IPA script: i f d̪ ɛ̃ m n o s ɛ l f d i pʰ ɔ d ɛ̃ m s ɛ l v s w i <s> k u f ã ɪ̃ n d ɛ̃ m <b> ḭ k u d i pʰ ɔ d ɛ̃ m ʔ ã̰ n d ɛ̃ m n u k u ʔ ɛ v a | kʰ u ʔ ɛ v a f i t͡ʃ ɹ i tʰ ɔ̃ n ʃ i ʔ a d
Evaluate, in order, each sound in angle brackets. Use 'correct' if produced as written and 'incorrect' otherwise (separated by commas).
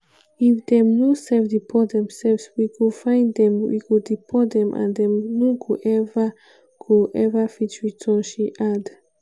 incorrect, incorrect